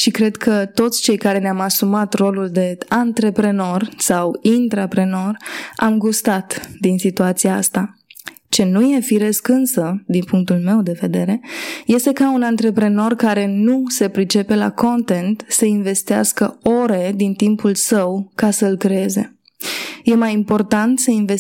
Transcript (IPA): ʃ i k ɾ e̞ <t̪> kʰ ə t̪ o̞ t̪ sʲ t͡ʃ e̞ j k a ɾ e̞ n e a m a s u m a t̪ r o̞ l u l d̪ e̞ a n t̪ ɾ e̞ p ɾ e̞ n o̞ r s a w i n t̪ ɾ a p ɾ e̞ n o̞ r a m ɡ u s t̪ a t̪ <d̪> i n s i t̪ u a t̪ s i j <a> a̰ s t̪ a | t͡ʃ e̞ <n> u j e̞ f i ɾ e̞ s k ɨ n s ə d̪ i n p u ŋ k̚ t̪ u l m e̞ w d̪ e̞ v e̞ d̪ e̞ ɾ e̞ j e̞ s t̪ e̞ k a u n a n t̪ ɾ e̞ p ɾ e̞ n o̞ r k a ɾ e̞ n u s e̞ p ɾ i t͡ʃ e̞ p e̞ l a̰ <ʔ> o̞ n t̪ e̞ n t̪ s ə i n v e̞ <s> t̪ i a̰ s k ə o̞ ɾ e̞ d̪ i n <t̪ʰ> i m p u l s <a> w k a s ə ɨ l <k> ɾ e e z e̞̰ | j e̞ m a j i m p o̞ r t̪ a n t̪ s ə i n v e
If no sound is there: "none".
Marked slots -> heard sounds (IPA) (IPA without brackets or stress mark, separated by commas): d̪, d̪, a, n, k, s, t̪, ə, k